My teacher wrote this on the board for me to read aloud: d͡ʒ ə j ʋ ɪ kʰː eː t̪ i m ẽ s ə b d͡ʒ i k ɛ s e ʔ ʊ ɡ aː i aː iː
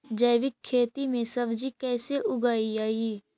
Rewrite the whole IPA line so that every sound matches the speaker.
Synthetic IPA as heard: d͡ʒ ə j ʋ ɪ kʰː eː t̪ i m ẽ s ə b d͡ʒ i k ɛː s e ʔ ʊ ɡ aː i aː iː